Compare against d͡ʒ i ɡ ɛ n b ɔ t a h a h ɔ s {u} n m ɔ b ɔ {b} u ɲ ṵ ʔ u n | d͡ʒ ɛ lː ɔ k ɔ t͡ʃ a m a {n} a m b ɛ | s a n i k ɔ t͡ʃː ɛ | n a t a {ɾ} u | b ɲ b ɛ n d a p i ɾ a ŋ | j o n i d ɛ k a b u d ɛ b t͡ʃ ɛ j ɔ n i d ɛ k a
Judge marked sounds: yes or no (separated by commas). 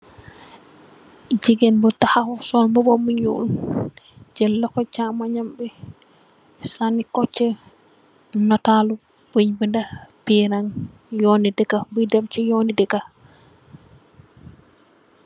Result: no, no, no, no